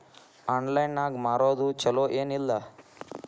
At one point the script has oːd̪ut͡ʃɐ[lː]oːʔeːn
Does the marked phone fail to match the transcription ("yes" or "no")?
yes